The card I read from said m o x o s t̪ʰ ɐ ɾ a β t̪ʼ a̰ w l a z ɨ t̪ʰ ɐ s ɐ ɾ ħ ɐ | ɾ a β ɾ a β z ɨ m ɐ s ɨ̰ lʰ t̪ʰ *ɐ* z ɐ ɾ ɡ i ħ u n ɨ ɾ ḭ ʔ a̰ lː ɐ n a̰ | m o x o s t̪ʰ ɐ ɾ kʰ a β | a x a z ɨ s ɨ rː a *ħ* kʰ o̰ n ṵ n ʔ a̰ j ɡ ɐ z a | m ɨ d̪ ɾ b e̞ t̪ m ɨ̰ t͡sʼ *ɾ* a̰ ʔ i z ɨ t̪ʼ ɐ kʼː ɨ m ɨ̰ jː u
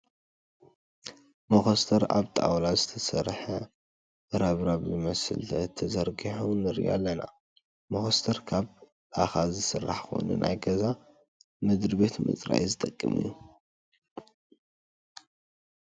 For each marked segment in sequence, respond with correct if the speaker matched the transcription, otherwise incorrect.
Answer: correct, correct, correct

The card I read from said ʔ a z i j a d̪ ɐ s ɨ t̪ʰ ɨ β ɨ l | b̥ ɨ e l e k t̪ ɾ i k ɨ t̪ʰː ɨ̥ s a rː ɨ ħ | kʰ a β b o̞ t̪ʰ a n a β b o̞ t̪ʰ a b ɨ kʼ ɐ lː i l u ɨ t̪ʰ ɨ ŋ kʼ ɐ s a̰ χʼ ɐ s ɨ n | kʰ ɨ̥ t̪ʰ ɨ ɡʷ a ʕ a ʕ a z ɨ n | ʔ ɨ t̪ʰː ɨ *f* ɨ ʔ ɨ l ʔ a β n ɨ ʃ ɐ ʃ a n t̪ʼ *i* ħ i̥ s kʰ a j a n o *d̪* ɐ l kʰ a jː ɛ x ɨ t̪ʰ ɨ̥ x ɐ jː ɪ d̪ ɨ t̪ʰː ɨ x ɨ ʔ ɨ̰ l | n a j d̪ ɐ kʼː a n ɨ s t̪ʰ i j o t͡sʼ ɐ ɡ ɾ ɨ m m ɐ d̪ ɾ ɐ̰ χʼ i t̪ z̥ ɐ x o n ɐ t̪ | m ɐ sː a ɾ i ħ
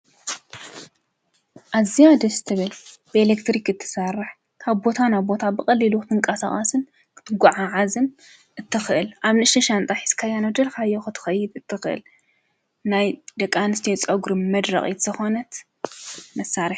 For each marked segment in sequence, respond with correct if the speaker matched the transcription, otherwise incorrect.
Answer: incorrect: x, incorrect: a, correct

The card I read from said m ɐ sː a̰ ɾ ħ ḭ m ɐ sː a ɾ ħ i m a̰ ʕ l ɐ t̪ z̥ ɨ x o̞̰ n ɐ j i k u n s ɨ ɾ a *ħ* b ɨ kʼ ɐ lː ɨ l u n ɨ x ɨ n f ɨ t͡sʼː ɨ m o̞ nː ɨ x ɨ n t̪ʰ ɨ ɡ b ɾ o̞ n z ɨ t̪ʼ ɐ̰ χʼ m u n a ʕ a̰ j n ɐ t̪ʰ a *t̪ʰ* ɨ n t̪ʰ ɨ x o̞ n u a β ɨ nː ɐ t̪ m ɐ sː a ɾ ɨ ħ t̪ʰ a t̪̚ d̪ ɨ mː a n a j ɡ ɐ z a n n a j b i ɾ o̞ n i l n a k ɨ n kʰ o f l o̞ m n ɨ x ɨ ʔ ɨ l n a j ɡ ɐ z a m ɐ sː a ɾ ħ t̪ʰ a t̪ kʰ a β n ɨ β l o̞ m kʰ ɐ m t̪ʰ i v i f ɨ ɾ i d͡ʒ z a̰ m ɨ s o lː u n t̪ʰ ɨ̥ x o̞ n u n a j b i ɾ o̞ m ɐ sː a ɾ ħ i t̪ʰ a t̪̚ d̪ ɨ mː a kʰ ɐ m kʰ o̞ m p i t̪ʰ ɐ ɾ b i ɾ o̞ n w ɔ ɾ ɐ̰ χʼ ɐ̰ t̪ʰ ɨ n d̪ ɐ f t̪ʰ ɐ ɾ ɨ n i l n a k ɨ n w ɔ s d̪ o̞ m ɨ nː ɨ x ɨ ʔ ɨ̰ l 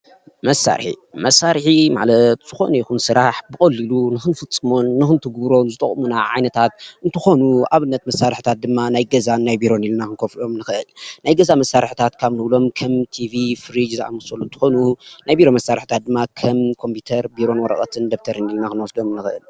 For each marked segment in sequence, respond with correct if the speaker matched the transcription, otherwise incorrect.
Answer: correct, incorrect: t̪

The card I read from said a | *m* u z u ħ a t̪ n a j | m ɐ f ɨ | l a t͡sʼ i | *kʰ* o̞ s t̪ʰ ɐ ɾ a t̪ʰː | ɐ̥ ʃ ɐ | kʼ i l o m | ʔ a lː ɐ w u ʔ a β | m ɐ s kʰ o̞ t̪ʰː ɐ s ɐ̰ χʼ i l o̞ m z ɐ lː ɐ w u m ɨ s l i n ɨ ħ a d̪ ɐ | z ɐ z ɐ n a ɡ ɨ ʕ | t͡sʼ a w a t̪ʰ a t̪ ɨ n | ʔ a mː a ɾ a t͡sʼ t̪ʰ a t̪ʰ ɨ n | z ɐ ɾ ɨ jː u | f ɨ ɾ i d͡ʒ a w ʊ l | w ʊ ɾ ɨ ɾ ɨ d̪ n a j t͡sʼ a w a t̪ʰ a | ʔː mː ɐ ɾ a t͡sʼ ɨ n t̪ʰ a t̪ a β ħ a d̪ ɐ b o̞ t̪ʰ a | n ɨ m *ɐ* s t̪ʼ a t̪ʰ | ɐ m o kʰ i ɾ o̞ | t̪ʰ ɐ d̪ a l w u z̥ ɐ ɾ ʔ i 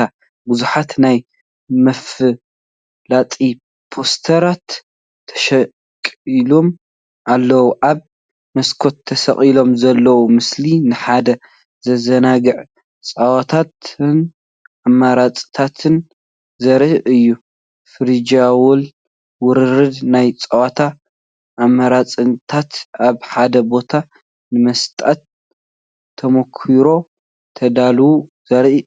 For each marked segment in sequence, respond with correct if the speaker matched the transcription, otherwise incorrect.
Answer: incorrect: b, incorrect: pʰ, correct

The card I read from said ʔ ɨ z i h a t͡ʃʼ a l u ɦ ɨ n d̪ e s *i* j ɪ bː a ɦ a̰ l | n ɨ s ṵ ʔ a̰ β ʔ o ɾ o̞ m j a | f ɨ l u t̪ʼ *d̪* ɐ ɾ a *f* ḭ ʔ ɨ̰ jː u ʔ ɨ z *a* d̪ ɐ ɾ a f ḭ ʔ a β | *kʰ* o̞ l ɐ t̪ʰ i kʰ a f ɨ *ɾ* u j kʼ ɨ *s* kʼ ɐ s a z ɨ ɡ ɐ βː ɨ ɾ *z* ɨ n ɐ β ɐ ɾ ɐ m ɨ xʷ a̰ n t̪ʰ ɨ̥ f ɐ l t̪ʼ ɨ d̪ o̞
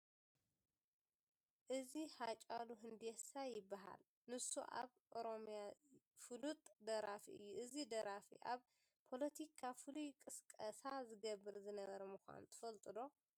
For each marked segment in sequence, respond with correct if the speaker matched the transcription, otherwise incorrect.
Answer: incorrect: a, correct, correct, incorrect: i, incorrect: pʰ, incorrect: l, correct, correct

